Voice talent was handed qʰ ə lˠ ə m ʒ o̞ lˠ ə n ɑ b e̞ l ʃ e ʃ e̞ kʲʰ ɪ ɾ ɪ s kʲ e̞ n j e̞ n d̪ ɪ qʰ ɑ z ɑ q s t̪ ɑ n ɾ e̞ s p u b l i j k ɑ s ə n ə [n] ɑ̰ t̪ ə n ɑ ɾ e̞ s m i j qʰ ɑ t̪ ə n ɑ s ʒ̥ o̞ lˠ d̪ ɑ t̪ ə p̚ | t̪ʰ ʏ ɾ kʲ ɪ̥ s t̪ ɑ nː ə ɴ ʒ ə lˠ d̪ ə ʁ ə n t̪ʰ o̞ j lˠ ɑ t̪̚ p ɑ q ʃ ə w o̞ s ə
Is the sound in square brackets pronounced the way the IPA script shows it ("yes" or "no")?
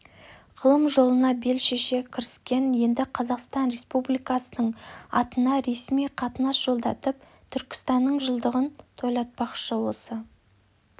no